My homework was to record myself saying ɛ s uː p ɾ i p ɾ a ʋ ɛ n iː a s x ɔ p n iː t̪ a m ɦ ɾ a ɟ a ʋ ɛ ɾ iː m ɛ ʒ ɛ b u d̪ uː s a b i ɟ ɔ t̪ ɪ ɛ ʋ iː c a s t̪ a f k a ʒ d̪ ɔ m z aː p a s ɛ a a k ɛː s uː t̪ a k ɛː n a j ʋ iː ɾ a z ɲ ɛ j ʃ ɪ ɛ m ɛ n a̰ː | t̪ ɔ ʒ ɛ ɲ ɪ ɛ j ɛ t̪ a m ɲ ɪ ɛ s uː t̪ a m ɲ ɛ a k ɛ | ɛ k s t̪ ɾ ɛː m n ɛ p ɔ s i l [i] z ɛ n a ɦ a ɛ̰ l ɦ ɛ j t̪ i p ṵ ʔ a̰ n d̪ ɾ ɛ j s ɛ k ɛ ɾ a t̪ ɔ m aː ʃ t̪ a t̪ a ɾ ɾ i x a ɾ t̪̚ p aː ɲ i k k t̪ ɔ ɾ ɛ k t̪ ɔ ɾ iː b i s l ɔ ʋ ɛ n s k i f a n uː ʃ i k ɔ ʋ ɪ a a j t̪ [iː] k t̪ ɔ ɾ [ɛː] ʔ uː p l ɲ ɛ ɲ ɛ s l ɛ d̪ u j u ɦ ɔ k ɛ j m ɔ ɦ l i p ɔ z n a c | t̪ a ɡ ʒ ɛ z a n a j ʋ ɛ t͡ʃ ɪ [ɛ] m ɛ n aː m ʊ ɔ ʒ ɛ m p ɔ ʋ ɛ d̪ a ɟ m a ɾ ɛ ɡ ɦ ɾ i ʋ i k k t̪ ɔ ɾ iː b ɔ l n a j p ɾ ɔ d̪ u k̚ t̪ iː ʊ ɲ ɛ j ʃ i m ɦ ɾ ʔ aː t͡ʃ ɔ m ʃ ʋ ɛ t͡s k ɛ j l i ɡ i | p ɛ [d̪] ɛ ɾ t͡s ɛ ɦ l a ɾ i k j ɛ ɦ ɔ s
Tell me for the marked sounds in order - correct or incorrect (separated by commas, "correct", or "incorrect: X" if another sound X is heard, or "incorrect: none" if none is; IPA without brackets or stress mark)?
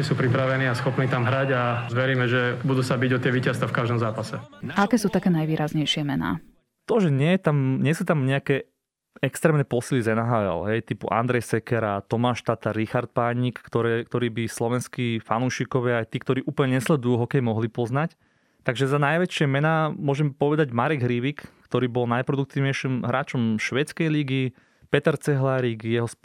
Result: correct, correct, incorrect: iː, correct, incorrect: t̪